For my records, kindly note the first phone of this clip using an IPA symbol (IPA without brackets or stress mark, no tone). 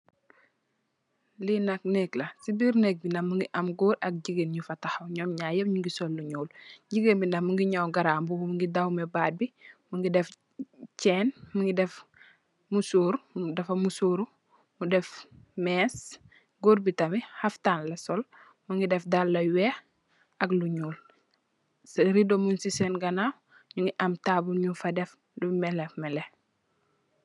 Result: l